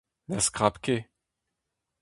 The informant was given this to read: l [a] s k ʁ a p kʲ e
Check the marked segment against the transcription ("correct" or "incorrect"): correct